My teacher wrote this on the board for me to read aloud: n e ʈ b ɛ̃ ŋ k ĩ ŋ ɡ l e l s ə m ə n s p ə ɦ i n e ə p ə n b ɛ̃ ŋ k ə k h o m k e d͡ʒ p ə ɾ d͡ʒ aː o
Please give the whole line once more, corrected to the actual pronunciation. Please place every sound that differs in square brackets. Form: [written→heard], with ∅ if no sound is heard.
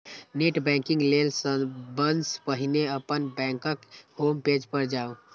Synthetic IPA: n e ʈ b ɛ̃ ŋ k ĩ ŋ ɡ l e l s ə [m→b] ə n s p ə ɦ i n e ə p ə n b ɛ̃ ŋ k ə k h o m [k→p] e d͡ʒ p ə ɾ d͡ʒ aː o